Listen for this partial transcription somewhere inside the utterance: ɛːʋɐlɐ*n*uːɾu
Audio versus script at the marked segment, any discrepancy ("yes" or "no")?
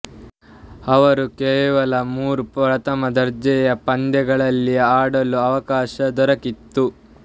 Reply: yes